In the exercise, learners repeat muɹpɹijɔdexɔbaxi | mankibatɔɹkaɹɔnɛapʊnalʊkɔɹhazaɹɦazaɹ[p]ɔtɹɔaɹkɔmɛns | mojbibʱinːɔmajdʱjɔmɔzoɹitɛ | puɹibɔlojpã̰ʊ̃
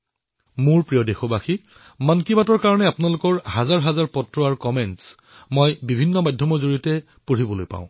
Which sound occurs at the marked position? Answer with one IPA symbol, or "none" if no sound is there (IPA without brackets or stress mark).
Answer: p